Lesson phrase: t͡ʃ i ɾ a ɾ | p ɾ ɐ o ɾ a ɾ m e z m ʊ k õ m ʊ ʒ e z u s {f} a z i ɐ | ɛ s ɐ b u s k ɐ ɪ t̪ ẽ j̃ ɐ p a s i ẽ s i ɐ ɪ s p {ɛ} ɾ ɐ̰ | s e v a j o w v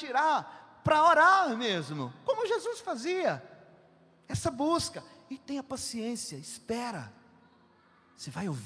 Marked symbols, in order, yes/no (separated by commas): yes, yes